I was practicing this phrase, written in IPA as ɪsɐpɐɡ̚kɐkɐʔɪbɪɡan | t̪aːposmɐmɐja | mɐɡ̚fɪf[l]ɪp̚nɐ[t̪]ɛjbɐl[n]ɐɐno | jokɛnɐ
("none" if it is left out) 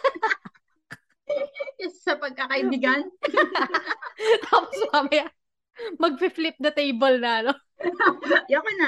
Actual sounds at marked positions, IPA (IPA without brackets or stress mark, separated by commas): l, t̪, n